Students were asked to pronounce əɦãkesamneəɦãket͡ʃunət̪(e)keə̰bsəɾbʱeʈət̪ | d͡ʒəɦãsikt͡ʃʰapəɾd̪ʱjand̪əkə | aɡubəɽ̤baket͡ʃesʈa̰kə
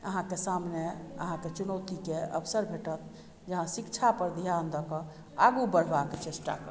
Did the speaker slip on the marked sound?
yes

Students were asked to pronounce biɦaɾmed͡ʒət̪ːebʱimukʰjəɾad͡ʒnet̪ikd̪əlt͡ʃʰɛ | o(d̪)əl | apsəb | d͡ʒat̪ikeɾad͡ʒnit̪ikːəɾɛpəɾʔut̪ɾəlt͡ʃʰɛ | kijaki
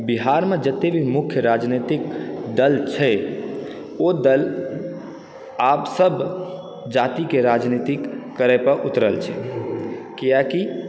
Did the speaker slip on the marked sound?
no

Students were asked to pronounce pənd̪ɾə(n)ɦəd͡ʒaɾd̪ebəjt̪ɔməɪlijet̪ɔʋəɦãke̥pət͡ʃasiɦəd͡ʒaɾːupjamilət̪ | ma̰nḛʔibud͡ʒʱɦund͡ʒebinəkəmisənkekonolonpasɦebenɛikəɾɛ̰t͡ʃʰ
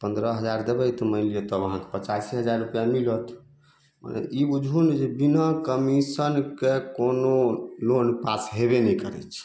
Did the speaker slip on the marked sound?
yes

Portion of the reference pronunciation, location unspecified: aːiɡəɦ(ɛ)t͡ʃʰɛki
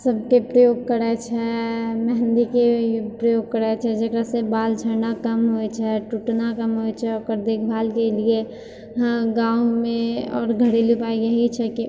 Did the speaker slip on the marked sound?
yes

